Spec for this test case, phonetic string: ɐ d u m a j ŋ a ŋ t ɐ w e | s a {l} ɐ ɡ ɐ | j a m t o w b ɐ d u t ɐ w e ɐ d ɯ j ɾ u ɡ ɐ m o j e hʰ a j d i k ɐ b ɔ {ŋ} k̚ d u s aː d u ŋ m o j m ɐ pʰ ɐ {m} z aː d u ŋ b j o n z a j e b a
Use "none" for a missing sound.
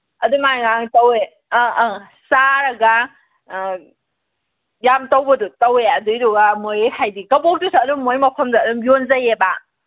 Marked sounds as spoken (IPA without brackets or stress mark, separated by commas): ɾ, none, m